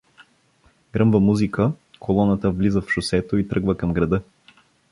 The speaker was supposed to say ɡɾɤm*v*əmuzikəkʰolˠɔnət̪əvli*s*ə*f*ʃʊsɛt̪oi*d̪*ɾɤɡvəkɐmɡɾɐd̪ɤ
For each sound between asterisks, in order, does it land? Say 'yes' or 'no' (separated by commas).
yes, no, yes, no